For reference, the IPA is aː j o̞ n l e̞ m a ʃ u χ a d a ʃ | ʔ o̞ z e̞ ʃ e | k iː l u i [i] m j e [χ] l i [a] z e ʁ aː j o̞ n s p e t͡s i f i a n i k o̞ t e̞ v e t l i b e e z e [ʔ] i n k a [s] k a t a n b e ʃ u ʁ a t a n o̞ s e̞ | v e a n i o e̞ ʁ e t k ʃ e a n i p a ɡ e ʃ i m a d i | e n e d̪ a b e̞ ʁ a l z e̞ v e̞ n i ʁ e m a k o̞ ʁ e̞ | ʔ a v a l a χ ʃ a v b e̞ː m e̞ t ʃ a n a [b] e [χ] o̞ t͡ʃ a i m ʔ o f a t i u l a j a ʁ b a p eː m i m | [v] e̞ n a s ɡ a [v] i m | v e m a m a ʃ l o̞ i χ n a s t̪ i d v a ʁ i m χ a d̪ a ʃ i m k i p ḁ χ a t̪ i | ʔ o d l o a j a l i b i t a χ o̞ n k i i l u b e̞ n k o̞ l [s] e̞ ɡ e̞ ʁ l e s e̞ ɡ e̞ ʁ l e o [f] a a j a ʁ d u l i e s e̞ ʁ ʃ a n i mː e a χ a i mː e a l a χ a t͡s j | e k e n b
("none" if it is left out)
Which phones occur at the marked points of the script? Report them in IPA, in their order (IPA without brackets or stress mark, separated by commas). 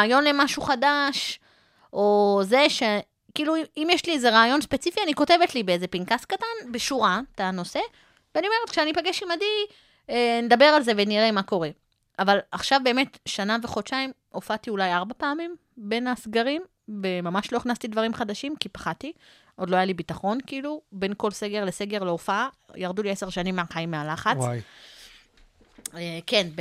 i, ʃ, e, p, s, v, χ, b, ʁ, s, f